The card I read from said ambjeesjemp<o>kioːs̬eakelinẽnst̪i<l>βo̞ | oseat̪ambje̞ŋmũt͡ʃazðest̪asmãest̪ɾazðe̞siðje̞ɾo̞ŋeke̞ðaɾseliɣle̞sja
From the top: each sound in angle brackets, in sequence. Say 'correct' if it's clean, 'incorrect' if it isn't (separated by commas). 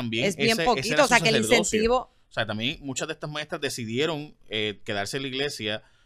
correct, incorrect